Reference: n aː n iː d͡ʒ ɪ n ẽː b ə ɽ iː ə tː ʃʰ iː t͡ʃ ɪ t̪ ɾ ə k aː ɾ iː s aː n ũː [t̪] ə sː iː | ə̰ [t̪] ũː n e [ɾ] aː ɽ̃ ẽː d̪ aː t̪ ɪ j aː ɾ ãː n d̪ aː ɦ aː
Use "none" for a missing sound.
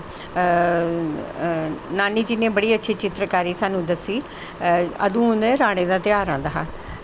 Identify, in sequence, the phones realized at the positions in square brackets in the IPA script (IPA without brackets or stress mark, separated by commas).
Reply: d̪, d̪, ɾ